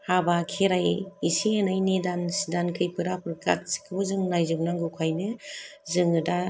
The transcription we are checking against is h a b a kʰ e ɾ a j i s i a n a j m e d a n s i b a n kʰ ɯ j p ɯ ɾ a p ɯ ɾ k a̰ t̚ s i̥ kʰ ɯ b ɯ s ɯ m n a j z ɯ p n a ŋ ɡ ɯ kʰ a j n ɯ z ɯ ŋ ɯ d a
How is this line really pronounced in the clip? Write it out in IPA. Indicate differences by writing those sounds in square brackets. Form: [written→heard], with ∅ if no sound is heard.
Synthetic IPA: h a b a kʰ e ɾ a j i s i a n a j [m→n] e d a n s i [b→d] a n kʰ ɯ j p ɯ ɾ a p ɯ ɾ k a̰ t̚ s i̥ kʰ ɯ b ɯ [s→z] ɯ [m→ŋ] n a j z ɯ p n a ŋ ɡ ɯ kʰ a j n ɯ z ɯ ŋ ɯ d a

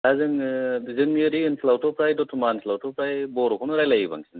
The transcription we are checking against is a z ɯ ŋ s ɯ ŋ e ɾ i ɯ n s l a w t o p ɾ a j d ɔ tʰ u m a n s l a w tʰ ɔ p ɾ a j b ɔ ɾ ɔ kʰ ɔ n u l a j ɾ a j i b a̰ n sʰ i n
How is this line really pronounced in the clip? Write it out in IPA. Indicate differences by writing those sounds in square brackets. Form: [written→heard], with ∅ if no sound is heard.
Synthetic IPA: a z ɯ ŋ [s→z] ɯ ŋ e ɾ i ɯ n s l a w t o p ɾ a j d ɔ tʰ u m a n s l a w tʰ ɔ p ɾ a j b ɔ ɾ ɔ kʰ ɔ n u [l→ɾ] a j [ɾ→l] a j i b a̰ [n→ŋ] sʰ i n

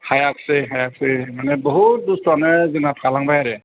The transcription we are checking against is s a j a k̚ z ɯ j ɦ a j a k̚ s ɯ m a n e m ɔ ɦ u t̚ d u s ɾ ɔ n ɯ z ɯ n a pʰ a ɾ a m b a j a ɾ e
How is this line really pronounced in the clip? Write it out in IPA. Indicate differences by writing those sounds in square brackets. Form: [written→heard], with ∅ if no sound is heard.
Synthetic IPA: [s→h] a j a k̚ [z→s] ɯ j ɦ a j a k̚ s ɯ m a n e [m→b] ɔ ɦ u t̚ d u s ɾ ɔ n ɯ z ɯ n a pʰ a [ɾ→l] a [m→ŋ] b a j a ɾ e

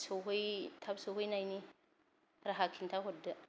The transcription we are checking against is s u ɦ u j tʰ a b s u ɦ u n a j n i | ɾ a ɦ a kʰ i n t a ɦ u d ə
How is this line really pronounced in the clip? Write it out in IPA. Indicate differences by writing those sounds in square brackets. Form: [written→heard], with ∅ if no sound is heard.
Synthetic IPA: s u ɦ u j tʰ a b s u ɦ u n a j n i | ɾ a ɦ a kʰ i n t a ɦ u d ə

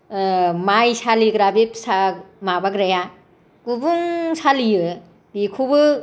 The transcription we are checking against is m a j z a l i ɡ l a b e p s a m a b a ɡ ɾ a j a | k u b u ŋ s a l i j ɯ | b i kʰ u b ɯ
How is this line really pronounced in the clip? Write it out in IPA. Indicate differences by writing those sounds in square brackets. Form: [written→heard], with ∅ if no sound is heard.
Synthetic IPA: m a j [z→s] a l i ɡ [l→ɾ] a b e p s a m a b a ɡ ɾ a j a | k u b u ŋ s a l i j ɯ | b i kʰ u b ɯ

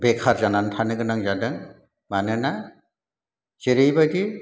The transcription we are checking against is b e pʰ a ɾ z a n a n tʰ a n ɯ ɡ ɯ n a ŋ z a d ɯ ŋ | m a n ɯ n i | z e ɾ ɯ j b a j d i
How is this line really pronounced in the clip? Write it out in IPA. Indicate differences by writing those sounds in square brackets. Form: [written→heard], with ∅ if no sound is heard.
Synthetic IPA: b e [pʰ→kʰ] a ɾ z a n a n tʰ a n ɯ ɡ ɯ n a ŋ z a d ɯ ŋ | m a n ɯ n [i→a] | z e ɾ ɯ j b a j d i

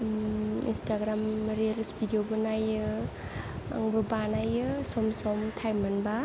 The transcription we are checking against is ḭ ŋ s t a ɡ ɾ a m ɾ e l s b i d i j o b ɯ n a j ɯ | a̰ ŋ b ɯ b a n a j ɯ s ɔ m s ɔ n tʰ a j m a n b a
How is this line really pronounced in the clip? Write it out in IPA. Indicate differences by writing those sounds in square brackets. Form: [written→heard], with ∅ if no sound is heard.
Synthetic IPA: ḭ [ŋ→n] s t a ɡ ɾ a m ɾ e l s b i d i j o b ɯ n a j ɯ | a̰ ŋ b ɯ b a n a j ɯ s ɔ m s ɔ [n→m] tʰ a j m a n b a

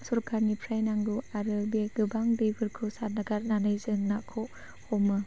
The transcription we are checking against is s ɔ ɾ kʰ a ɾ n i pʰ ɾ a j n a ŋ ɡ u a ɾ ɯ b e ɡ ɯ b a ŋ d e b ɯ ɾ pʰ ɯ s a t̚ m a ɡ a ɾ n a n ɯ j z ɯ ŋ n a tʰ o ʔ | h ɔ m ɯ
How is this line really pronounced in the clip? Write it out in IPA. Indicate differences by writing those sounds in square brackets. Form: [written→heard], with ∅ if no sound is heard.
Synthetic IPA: s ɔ ɾ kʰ a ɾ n i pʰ ɾ a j n a ŋ ɡ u a ɾ ɯ b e ɡ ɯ b a ŋ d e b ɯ ɾ [pʰ→kʰ] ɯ s a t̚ [m→n] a ɡ a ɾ n a n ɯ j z ɯ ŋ n a [tʰ→kʰ] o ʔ | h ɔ m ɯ

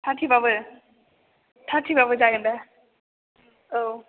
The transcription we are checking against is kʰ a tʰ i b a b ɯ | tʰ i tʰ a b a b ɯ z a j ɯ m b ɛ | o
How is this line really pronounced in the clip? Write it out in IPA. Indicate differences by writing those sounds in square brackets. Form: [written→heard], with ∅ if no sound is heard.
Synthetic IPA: [kʰ→tʰ] a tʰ i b a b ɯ | tʰ [i→a] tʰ [a→i] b a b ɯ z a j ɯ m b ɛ | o

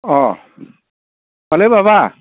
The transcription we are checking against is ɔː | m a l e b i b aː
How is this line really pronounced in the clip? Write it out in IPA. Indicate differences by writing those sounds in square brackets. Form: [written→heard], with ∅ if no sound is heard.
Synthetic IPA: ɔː | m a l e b [i→a] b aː

